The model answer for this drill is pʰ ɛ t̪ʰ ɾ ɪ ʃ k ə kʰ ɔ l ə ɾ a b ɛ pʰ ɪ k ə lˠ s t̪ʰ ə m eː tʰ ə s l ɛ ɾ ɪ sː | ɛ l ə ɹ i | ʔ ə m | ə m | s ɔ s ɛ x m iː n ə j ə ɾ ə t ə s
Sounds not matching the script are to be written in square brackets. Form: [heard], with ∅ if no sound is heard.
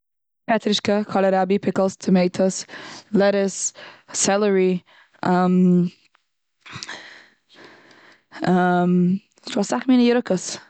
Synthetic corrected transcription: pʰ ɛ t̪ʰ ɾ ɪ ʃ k ə kʰ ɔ l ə ɾ a b [i] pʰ ɪ k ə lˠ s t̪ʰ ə m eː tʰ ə s l ɛ ɾ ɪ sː | ɛ l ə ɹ i | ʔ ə m | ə m | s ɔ s [a] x m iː n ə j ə ɾ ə [k] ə s